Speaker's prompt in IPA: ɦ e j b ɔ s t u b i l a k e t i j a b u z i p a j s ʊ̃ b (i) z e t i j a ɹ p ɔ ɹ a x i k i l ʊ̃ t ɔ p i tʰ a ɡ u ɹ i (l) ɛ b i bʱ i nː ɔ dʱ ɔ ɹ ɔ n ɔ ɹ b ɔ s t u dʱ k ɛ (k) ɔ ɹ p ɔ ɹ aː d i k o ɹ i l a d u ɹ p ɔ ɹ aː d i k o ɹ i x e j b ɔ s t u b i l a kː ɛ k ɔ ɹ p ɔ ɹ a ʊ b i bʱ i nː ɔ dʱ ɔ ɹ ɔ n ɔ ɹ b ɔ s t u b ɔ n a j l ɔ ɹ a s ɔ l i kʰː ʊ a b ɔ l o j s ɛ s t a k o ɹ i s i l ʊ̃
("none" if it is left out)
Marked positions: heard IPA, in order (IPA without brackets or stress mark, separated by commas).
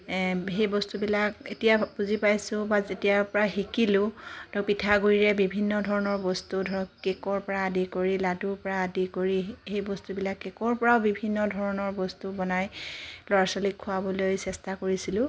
a, ɹ, k